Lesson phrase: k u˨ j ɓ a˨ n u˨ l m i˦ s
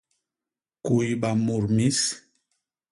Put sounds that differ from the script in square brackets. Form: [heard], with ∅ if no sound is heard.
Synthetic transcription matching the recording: k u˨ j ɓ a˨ [m] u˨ [ɾ] m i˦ s